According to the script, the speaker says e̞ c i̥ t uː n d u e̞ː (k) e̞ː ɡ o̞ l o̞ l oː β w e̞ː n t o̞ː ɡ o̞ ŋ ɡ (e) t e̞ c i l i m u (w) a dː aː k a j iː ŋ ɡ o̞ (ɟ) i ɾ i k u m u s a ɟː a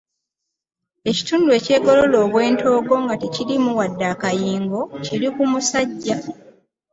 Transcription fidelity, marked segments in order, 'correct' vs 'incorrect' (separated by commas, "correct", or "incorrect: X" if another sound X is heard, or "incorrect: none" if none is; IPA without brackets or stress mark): incorrect: c, incorrect: a, correct, incorrect: c